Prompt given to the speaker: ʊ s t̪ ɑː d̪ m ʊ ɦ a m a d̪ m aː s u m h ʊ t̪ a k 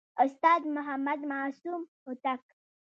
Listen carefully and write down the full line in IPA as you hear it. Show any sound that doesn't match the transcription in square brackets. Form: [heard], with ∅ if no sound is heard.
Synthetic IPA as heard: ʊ s t̪ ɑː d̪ m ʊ ɦ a m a d̪ m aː s u m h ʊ t̪ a k